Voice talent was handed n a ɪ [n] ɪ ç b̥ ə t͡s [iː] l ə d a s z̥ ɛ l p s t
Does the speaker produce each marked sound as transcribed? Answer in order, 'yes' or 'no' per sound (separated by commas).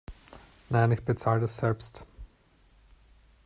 yes, no